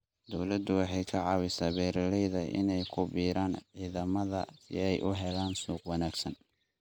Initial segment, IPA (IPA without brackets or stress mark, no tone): d̪